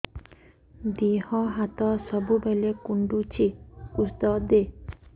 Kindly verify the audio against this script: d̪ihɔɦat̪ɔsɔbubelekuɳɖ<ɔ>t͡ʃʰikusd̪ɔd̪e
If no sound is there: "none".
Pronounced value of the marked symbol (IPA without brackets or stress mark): u